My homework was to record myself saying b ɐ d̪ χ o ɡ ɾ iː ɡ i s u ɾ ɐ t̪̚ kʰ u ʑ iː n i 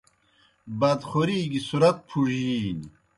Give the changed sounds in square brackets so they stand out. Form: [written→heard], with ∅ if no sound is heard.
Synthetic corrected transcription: b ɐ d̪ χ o [ɡ→∅] ɾ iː ɡ i s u ɾ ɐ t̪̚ [kʰ→pʰ] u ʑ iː n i